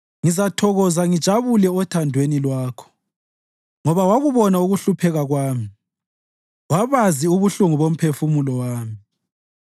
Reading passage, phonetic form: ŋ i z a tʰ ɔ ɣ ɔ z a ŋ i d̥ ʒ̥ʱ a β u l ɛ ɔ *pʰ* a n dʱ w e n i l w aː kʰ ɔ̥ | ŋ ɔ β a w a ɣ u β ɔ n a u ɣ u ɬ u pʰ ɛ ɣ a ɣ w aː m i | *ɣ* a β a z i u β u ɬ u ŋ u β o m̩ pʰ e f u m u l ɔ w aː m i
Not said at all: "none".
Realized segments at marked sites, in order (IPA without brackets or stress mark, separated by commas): tʰ, w